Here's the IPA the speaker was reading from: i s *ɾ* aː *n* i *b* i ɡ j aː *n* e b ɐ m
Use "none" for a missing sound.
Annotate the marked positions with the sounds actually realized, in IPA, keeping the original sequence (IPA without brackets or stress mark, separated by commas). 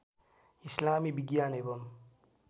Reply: l, m, b, n